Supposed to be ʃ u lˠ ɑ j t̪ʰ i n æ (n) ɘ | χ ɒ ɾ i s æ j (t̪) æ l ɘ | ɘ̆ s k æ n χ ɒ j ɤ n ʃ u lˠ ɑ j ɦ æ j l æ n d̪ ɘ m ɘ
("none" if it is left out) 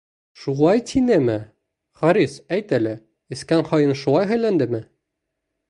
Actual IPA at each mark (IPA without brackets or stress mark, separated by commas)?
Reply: m, t̪